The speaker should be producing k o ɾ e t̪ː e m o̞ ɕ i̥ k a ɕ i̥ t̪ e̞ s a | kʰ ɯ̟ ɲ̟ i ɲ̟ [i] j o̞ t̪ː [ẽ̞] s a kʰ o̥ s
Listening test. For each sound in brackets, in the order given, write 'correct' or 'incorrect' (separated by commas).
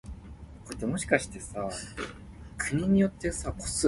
correct, incorrect